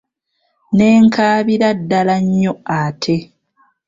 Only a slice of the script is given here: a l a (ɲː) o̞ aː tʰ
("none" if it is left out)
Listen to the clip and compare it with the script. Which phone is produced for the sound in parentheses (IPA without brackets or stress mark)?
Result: ɲː